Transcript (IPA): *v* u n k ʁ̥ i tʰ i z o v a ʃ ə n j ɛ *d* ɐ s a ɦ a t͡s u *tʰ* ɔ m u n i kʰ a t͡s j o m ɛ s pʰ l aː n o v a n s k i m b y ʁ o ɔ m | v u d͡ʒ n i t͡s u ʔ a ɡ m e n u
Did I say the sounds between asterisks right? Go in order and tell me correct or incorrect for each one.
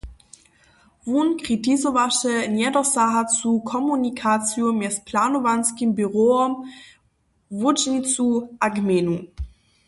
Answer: correct, correct, incorrect

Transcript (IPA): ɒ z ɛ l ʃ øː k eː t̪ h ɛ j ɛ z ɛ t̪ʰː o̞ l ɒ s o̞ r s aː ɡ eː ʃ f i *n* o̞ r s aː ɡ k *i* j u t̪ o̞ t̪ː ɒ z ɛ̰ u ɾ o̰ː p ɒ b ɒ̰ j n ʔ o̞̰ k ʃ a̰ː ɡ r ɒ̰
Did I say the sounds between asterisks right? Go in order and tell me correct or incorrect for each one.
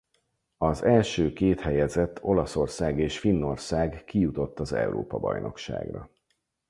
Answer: incorrect, correct

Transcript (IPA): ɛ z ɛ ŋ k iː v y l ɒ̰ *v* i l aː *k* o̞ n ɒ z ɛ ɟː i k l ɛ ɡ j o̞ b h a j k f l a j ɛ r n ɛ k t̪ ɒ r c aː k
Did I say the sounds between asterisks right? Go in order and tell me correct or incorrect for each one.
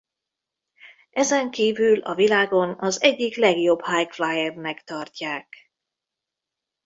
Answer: correct, incorrect

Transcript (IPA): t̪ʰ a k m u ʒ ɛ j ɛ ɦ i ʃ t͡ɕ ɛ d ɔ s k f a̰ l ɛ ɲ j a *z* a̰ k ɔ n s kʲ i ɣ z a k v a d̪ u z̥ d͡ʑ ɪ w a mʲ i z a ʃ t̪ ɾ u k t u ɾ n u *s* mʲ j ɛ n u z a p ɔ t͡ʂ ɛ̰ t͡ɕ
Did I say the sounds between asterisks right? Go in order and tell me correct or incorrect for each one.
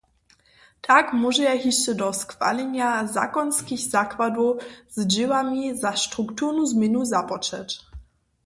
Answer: correct, incorrect

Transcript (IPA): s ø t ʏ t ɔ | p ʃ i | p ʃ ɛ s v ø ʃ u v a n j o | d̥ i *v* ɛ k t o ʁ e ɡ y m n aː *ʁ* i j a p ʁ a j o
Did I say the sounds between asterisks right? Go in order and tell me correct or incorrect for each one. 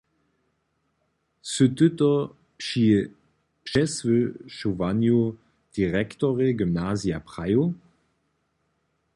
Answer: incorrect, incorrect

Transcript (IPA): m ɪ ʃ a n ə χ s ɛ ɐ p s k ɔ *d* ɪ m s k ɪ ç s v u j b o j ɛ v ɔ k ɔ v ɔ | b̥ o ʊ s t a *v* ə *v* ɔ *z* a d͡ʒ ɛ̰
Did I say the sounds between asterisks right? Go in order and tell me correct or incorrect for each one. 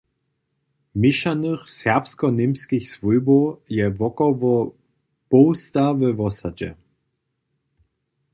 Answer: incorrect, correct, correct, incorrect

